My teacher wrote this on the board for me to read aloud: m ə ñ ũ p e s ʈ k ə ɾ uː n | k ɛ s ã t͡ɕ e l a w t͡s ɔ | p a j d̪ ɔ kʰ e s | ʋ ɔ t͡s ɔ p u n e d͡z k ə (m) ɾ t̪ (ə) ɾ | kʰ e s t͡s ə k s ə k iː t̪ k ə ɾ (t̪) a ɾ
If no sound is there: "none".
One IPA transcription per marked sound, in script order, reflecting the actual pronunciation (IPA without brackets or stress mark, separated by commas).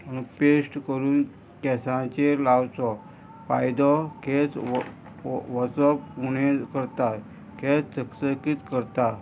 none, a, t̪